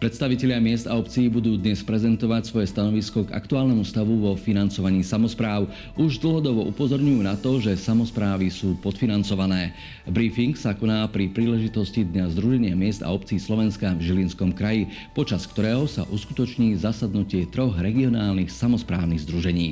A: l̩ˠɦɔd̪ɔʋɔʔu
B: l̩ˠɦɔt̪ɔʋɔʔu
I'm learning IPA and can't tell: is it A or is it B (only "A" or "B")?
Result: A